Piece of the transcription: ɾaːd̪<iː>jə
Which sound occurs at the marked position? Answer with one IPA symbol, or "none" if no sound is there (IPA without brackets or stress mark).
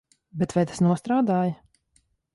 aː